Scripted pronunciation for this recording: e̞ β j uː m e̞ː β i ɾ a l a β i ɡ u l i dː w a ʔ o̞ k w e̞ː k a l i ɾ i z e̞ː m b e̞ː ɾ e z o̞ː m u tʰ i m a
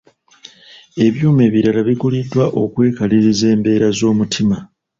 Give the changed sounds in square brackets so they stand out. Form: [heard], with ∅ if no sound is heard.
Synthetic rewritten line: e̞ β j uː m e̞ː β i ɾ a l a β i ɡ u l i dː w a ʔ o̞ k w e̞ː k a l i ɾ i z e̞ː m b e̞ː ɾ [a] z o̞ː m u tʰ i m a